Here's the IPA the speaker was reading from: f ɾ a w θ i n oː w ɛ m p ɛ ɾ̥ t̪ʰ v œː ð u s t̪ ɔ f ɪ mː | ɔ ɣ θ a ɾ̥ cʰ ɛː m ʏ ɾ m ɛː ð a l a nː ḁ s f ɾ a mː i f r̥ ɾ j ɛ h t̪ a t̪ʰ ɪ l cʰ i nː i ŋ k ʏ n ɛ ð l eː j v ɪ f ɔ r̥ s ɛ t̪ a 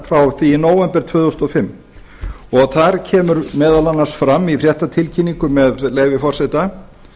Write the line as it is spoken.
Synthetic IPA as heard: f ɾ a w θ i n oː w ɛ m p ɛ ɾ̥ t̪ʰ v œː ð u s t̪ ɔ f ɪ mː | ɔ ɣ θ a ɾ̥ cʰ ɛː m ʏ ɾ m ɛː ð a l a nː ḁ s f ɾ a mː i f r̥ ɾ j ɛ h t̪ a t̪ʰ ɪ l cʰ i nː i ŋ k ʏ m ɛ ð l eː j v ɪ f ɔ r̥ s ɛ t̪ a